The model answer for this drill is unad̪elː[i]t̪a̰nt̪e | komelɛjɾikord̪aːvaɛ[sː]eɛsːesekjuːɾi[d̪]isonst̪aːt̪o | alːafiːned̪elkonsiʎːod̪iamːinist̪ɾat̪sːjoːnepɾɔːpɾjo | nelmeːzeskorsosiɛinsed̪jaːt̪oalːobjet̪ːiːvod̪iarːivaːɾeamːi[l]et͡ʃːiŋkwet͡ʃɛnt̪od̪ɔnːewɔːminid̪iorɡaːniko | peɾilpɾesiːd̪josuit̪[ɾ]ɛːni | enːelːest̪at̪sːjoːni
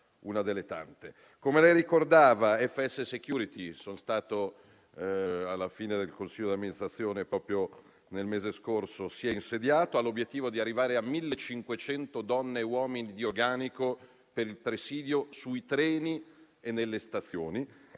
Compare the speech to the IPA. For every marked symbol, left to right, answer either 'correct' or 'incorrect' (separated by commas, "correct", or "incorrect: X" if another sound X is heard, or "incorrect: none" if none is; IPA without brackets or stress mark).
incorrect: e, incorrect: fː, incorrect: t̪, incorrect: lː, correct